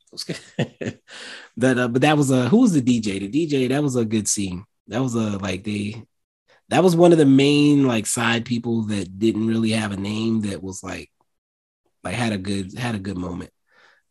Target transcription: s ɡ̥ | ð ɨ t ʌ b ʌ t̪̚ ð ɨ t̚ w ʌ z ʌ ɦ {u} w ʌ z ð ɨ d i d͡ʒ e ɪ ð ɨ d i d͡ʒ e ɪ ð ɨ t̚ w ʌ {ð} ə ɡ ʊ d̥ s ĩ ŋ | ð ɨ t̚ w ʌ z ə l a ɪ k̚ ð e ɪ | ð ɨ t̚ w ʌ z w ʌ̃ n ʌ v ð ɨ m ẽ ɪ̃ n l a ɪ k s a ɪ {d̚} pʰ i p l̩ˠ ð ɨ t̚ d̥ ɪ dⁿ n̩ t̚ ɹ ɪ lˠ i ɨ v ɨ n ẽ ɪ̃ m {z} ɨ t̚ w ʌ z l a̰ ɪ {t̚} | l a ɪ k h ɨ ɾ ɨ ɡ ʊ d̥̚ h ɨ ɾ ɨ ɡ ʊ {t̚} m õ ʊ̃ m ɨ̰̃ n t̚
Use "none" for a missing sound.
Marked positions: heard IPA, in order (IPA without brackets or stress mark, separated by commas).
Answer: u, z, d̚, ð, k̚, d̚